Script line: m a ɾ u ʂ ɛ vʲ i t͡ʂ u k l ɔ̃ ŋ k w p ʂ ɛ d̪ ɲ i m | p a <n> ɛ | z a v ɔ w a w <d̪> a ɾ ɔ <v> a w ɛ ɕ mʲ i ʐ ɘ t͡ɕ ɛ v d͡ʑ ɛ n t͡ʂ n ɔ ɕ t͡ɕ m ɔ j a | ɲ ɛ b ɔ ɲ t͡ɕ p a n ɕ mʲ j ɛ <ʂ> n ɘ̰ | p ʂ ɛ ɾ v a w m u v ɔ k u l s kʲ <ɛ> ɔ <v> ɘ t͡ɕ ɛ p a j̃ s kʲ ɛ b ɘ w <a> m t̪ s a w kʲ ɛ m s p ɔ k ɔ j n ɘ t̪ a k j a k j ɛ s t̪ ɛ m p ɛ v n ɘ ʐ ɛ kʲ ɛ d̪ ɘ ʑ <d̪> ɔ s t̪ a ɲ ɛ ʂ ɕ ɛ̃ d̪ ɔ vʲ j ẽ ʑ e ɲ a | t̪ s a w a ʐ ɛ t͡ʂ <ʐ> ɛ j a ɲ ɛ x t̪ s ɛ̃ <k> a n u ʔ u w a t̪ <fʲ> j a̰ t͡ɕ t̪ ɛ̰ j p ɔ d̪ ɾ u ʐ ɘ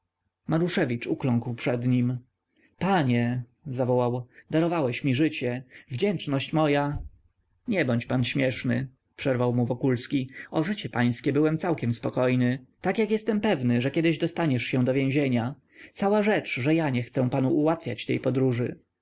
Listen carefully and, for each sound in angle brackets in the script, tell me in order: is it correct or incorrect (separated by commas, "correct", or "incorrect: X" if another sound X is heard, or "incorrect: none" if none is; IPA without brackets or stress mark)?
incorrect: ɲ, correct, correct, correct, incorrect: i, incorrect: ʐ, incorrect: ɛ, correct, correct, incorrect: p, correct